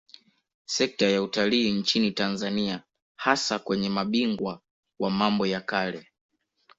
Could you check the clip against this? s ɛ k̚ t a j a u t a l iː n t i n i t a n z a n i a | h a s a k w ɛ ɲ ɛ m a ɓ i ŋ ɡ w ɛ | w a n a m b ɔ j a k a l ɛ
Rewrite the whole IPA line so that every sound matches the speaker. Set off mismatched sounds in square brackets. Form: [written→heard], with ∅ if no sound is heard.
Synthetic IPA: s ɛ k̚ t a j a u t a l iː n [t→t͡ʃ] i n i t a n z a n i a | h a s a k w ɛ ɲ ɛ m a ɓ i ŋ ɡ w [ɛ→a] | w a [n→m] a m b ɔ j a k a l ɛ